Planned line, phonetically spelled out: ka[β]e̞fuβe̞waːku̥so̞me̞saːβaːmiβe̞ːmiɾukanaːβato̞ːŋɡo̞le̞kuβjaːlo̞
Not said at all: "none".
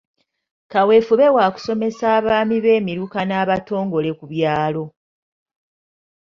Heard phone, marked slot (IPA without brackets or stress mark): w